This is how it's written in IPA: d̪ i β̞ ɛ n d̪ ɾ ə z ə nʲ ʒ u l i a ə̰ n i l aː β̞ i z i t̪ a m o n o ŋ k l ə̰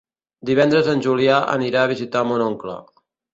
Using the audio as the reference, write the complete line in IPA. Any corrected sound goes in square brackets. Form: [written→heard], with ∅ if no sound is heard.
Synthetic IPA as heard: d̪ i β̞ ɛ n d̪ ɾ ə z ə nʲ ʒ u l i a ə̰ n i [l→ɾ] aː β̞ i z i t̪ a m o n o ŋ k l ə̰